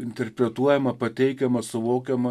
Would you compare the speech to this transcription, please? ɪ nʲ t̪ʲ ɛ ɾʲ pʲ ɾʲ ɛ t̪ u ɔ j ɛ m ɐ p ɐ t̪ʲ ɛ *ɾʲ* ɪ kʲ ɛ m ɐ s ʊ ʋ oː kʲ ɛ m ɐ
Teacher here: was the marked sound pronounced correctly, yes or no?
no